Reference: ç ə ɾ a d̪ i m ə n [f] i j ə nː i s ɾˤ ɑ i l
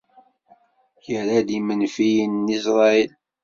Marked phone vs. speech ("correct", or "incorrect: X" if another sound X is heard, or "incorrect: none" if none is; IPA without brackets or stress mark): correct